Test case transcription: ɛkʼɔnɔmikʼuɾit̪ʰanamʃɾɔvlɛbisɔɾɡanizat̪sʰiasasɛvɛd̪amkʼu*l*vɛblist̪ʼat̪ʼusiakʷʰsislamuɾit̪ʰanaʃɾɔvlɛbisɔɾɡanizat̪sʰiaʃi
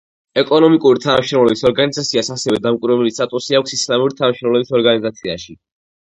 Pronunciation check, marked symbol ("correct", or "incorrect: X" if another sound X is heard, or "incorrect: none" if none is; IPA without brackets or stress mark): incorrect: ɾ